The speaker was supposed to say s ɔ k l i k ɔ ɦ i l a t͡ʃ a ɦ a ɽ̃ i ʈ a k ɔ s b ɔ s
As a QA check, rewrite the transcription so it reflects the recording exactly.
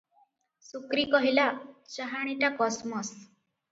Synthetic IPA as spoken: s u k ɾ i k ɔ ɦ i l a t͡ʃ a ɦ a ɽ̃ i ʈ a k ɔ s m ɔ s